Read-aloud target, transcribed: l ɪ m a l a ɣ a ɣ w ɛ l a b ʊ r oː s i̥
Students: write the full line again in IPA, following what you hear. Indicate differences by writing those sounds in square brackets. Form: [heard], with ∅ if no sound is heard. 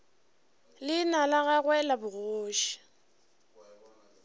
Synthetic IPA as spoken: l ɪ [n] a l a ɣ a ɣ w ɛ l a b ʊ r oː [ʃ] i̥